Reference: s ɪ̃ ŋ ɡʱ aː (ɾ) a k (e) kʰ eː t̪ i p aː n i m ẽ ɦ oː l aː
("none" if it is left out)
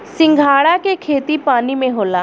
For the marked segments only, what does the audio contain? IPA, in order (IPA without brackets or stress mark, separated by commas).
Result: ɽ, e